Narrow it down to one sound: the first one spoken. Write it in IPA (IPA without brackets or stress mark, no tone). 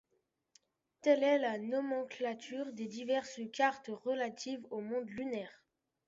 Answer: t̪